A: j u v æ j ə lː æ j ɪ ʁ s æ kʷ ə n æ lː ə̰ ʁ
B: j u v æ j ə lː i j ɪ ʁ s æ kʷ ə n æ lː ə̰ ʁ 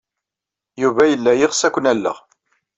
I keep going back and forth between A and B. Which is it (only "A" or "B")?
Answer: A